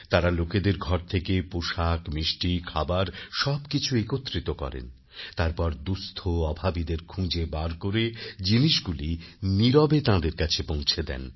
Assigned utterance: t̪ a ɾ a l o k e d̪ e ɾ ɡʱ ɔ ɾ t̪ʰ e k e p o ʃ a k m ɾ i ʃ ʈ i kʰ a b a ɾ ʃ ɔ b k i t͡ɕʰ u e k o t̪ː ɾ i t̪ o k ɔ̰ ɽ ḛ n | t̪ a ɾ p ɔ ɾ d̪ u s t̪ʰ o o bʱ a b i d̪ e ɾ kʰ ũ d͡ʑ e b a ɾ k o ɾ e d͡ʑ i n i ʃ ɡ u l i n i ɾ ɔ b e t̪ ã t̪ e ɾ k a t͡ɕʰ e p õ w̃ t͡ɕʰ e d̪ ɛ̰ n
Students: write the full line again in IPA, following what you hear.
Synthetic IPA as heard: t̪ a ɾ a l o k e d̪ e ɾ ɡʱ ɔ ɾ t̪ʰ e k e p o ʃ a k m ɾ i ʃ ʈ i kʰ a b a ɾ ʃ ɔ b k i t͡ɕʰ u e k o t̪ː ɾ i t̪ o k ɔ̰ ɾ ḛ n | t̪ a ɾ p ɔ ɾ d̪ u s t̪ʰ o ɔ bʱ a b i d̪ e ɾ kʰ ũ d͡ʑ e b a ɾ k o ɾ e d͡ʑ i n i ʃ ɡ u l i n i ɾ ɔ b e t̪ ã d̪ e ɾ k a t͡ɕʰ e p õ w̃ t͡ɕʰ e d̪ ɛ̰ n